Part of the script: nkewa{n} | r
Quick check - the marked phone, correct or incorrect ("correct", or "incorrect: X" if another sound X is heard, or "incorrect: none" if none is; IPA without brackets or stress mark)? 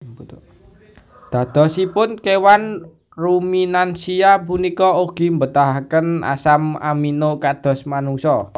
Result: correct